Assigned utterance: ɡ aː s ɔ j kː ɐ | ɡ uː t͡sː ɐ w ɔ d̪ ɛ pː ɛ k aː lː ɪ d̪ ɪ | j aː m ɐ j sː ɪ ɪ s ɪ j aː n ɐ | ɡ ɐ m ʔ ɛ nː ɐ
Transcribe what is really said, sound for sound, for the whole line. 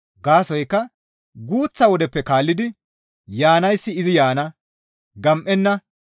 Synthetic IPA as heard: ɡ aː s ɔ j kː ɐ | ɡ uː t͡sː ɐ w ɔ d̪ ɛ pː ɛ k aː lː ɪ d̪ ɪ | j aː n ɐ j sː ɪ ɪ z ɪ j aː n ɐ | ɡ ɐ m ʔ ɛ nː ɐ